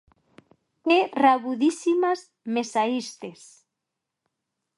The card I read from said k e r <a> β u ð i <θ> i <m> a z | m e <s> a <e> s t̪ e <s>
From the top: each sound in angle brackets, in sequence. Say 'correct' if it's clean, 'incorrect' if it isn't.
correct, incorrect: s, correct, correct, incorrect: i, correct

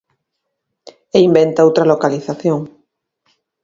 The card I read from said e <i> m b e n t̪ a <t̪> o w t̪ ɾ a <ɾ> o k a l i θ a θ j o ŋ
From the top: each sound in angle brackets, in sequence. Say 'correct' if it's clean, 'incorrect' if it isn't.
correct, incorrect: none, incorrect: l

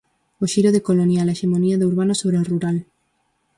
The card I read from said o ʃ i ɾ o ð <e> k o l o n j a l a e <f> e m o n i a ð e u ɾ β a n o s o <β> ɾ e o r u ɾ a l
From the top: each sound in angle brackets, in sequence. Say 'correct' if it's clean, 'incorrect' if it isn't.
correct, incorrect: ʃ, correct

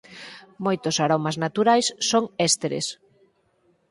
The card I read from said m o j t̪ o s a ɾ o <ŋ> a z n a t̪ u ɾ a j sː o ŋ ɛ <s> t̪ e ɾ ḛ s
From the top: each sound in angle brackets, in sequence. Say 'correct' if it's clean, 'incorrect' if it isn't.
incorrect: m, correct

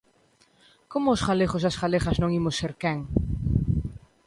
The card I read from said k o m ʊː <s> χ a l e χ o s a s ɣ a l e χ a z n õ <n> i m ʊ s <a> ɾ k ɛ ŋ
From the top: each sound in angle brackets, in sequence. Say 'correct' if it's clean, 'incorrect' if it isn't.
correct, incorrect: ŋ, incorrect: e

